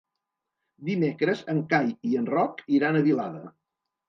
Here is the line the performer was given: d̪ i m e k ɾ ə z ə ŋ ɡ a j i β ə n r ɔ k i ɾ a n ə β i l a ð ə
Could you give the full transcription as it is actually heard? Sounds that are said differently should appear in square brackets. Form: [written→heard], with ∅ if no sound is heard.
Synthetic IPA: d̪ i m e k ɾ ə z ə ŋ [ɡ→k] a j i [β→∅] ə n r ɔ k i ɾ a n ə β i l a ð ə